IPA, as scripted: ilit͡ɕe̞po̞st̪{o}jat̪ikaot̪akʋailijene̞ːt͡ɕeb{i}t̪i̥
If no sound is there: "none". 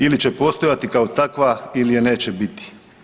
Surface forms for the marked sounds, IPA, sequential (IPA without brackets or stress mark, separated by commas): o, i